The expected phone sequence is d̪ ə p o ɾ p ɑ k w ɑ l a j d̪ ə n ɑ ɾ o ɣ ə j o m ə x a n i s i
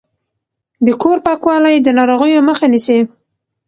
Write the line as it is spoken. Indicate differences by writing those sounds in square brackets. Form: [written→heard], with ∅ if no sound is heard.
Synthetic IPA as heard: d̪ ə [p→k] o ɾ p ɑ k w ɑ l a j d̪ ə n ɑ ɾ o ɣ ə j o m ə x a n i s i